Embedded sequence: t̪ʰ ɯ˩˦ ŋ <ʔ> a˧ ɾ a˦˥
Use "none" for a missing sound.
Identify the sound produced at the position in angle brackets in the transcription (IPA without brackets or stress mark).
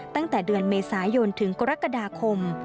k